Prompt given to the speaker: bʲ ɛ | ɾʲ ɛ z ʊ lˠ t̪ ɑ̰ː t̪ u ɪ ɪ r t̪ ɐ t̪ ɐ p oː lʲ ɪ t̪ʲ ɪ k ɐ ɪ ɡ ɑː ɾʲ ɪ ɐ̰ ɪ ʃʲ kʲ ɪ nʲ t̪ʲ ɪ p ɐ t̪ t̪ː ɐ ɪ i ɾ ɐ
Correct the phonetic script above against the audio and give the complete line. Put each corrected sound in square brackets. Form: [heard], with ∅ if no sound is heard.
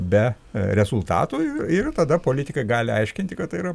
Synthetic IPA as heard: bʲ ɛ | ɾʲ ɛ z ʊ lˠ t̪ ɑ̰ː t̪ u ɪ ɪ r t̪ ɐ [d̪] ɐ p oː lʲ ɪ t̪ʲ ɪ k ɐ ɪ ɡ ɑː [lʲ] ɪ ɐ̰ ɪ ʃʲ kʲ ɪ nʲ t̪ʲ ɪ [k] ɐ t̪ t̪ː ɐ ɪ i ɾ ɐ